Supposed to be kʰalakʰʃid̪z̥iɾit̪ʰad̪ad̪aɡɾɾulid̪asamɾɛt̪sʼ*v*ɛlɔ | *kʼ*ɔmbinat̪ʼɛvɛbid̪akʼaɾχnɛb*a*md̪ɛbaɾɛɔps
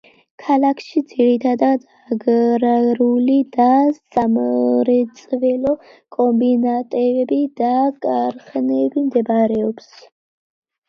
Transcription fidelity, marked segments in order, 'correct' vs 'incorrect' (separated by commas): correct, correct, incorrect